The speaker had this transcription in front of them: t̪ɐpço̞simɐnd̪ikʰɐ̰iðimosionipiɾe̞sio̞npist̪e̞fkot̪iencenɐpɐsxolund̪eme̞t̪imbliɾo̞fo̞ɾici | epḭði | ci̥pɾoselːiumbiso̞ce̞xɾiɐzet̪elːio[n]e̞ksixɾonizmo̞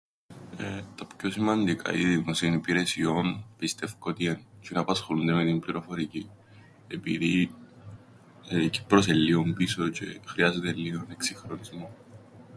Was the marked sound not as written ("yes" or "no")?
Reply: no